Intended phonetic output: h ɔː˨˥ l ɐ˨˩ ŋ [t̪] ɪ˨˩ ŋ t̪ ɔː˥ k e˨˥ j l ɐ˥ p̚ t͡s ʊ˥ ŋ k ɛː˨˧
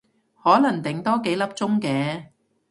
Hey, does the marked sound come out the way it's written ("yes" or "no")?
yes